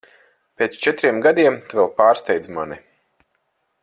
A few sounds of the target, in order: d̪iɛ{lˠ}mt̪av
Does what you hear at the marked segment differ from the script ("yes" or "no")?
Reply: yes